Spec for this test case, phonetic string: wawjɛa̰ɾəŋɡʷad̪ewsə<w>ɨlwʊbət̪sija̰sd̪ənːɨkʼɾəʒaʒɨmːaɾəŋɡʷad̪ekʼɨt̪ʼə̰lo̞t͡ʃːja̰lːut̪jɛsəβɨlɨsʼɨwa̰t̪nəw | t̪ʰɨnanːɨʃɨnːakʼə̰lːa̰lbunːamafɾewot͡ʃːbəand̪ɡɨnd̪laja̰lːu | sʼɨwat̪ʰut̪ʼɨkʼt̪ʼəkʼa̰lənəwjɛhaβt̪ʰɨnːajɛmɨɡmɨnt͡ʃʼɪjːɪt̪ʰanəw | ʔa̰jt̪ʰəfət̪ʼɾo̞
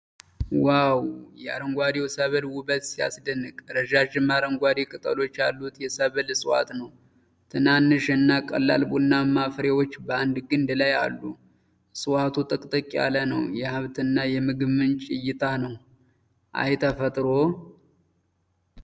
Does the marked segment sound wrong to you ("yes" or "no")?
yes